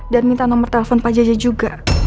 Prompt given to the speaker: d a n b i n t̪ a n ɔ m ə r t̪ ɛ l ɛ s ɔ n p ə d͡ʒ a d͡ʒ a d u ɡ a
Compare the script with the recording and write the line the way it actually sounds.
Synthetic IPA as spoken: d a n m i n t̪ a n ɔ m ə r t̪ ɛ l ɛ f ɔ n p a d͡ʒ a d͡ʒ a d͡ʒ u ɡ a